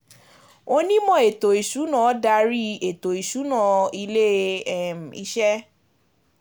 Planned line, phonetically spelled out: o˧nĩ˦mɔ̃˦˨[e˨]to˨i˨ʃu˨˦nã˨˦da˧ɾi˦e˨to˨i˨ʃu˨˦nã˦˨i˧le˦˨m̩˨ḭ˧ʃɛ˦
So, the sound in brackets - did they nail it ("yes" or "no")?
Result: yes